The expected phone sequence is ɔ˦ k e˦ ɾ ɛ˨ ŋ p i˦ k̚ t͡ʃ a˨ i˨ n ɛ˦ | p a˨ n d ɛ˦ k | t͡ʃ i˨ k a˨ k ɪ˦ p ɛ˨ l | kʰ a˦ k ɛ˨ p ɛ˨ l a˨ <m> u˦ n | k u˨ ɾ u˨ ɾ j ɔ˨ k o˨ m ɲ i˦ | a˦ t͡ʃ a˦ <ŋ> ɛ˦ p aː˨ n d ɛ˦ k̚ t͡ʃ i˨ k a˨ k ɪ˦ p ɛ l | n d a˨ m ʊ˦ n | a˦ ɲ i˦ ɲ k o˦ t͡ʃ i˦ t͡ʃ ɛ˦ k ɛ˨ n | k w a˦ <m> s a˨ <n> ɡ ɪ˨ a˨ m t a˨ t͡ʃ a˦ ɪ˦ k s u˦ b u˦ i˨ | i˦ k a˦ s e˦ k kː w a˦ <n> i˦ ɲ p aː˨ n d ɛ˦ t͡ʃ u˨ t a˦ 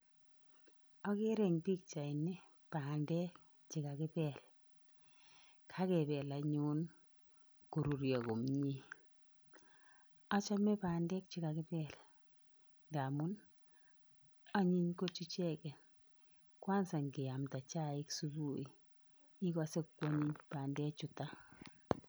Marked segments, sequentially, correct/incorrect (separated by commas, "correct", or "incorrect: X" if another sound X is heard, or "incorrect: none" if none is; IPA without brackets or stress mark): incorrect: ɲ, incorrect: m, incorrect: n, incorrect: ŋ, incorrect: ɲ